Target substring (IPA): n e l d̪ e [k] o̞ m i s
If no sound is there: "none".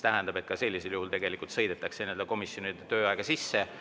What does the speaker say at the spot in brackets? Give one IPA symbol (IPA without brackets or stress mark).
k